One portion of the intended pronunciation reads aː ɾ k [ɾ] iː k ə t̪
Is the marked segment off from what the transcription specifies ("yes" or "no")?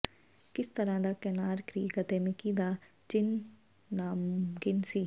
no